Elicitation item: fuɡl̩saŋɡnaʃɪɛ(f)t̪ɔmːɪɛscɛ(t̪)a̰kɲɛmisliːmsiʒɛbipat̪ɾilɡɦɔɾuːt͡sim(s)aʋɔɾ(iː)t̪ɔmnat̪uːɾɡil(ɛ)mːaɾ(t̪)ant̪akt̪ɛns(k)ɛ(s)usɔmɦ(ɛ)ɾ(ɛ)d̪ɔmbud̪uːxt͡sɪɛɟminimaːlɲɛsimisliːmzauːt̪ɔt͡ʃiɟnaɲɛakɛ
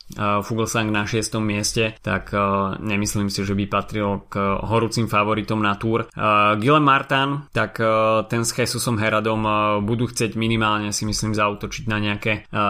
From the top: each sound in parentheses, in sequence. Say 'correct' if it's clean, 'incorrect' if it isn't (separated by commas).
incorrect, correct, incorrect, incorrect, correct, correct, incorrect, correct, correct, incorrect